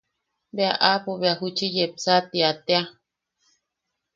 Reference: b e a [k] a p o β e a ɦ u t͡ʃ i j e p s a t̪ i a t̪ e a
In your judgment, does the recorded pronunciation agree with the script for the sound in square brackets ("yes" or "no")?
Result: no